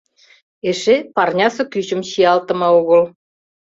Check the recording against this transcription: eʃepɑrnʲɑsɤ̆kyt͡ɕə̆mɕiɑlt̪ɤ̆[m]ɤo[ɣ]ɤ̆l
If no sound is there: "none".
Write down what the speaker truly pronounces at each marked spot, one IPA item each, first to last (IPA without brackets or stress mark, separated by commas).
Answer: m, ɣ